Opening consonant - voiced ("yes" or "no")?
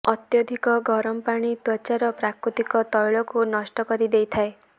no